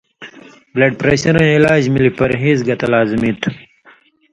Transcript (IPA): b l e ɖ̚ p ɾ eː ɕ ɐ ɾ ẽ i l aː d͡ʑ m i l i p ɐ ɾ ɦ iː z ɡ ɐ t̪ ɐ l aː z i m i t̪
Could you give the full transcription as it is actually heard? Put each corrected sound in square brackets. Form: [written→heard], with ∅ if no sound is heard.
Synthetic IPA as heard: b l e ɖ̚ p ɾ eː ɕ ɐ ɾ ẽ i l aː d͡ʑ m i l i p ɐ ɾ ɦ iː z ɡ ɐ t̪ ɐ l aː z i m i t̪